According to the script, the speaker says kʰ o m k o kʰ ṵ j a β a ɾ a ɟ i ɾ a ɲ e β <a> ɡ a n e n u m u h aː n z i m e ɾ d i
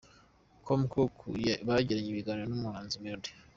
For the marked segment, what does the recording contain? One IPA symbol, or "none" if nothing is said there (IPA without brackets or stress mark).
i